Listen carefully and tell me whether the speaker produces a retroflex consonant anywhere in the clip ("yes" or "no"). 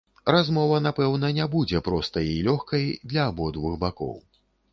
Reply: no